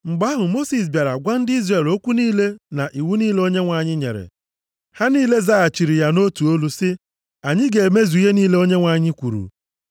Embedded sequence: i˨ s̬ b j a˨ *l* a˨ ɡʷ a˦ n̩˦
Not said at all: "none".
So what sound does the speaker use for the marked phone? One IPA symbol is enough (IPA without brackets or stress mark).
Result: ɾ